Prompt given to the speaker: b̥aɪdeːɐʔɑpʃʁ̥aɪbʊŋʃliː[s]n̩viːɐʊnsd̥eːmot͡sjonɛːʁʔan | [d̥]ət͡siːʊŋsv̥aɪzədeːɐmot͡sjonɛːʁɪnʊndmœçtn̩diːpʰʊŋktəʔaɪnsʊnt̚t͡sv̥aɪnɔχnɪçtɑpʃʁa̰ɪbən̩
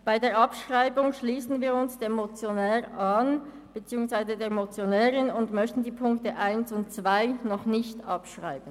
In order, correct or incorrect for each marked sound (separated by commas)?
correct, incorrect